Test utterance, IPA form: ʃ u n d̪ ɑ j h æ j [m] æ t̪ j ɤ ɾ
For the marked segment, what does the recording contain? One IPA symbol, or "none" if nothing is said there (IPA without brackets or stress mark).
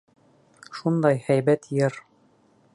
b